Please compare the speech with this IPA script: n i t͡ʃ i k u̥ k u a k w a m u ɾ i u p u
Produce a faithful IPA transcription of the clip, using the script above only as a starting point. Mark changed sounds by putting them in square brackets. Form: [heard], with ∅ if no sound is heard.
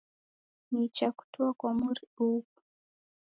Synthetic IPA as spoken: n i t͡ʃ [a] k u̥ [t] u a k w a m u ɾ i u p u

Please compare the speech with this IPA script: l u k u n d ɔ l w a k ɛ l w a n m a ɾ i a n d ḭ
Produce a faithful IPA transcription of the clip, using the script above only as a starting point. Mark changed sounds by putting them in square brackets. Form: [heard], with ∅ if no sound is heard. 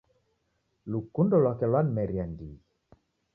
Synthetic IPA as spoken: l u k u n d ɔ l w a k ɛ l w a n m [ɛ] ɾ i a n d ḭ

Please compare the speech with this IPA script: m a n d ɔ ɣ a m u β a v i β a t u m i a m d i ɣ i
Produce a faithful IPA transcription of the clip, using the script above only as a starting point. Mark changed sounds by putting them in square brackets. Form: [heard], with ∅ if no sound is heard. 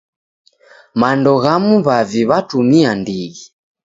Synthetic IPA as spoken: m a n d ɔ ɣ a m u β a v i β a t u m i a [n] d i ɣ i

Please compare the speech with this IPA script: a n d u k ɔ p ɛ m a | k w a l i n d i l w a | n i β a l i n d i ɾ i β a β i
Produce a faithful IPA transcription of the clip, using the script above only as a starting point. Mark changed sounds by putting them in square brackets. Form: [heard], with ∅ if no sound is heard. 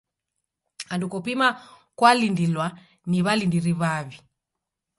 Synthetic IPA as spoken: a n d u k ɔ p [i] m a | k w a l i n d i l w a | n i β a l i n d i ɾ i β a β i

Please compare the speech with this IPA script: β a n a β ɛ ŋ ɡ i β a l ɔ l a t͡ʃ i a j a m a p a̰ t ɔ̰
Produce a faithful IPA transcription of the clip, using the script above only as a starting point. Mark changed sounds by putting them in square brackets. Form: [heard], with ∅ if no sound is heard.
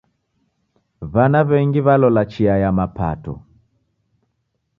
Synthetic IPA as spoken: β a n a β ɛ ŋ ɡ i β a l ɔ l a t͡ʃ i a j a m a p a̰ t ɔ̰

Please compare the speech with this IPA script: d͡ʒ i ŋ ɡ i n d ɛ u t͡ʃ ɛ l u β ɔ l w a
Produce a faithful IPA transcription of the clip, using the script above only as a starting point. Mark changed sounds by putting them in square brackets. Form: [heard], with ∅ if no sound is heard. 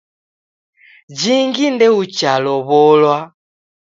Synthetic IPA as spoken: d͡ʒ i ŋ ɡ i n d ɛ u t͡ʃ [a] l [ɔ] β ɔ l w a

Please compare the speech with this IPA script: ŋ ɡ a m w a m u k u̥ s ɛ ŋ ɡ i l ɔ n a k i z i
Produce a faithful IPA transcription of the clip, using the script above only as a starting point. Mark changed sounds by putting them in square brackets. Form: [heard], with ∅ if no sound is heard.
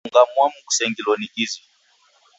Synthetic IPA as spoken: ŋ ɡ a m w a m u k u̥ s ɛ ŋ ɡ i l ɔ n [i] k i z i

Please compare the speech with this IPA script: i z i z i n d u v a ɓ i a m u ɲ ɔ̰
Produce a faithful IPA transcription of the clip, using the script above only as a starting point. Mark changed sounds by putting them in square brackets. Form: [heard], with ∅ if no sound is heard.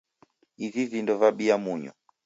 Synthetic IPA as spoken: i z i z i n d [ɔ] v a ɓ i a m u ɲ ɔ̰

